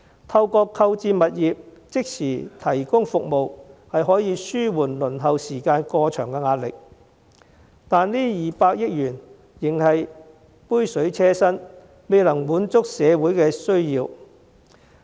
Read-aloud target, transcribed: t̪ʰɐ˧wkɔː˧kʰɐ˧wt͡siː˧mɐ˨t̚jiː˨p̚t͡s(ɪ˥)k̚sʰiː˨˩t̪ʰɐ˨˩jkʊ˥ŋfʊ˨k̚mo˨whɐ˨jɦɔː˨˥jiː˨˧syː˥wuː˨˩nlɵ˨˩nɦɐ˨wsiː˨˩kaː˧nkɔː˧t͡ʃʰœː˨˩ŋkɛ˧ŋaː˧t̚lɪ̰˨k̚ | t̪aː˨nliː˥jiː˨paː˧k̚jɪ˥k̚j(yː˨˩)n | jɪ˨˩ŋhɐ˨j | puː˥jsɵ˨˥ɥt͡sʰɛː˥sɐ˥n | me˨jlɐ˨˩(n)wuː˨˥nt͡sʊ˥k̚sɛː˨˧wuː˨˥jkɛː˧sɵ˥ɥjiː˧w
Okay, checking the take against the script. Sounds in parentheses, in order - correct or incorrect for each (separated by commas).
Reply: correct, correct, incorrect